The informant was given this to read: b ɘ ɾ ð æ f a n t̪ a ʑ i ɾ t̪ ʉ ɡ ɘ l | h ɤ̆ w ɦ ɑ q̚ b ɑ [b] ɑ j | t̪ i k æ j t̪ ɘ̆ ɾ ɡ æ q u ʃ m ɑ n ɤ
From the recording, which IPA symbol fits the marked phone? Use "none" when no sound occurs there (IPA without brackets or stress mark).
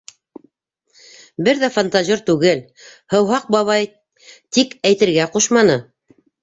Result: β